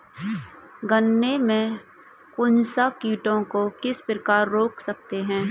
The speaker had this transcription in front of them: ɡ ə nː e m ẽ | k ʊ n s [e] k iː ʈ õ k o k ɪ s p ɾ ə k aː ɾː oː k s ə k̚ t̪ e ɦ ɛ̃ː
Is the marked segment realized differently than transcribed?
yes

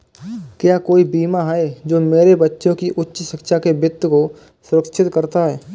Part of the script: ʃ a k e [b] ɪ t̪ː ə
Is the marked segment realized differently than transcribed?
no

